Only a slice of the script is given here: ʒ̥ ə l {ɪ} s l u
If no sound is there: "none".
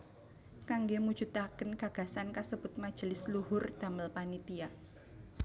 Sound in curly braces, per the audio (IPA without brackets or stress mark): ɪ